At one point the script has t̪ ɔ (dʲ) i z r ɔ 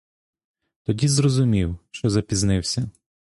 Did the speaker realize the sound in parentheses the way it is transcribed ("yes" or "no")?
yes